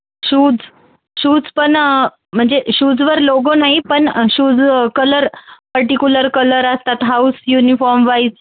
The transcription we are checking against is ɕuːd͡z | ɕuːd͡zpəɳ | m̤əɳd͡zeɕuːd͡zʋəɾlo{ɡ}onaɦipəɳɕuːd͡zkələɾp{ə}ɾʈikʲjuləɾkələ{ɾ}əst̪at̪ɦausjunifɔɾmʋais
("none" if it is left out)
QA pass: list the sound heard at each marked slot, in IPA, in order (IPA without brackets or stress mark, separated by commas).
ɡ, ə, ɾ